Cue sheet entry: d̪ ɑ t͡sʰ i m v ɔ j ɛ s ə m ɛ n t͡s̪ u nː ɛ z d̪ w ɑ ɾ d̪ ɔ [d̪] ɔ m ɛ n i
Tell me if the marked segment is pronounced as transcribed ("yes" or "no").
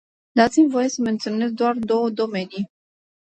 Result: yes